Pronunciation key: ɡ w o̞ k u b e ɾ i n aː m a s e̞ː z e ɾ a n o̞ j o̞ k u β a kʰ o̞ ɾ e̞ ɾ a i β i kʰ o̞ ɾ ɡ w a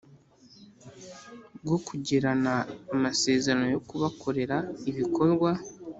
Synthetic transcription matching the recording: ɡ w o̞ k u ɟ e ɾ a n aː m a s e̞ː z e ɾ a n o̞ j o̞ k u β a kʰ o̞ ɾ e̞ ɾ a i β i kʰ o̞ ɾ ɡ w a